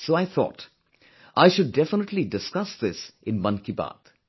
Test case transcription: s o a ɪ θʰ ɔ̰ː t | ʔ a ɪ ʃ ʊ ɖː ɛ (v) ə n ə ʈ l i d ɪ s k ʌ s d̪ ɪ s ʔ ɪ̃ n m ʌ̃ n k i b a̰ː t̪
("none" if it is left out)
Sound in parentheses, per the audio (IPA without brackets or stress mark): f